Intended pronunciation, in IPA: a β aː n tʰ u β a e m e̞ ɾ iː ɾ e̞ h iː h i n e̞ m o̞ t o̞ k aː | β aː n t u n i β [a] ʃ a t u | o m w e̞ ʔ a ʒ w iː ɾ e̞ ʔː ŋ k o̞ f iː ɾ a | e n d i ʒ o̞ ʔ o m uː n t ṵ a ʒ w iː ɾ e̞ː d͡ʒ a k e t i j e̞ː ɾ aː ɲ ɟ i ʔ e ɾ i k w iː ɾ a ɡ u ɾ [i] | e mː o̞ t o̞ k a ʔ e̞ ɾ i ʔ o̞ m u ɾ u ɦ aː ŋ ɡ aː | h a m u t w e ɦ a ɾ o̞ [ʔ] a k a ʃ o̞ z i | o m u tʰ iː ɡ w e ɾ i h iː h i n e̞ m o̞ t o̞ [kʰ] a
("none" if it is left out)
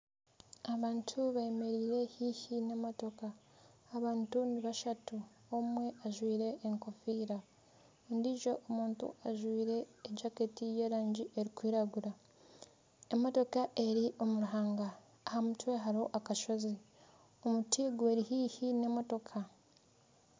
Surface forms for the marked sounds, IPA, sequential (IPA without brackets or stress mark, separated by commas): a, a, ʔ, kʰ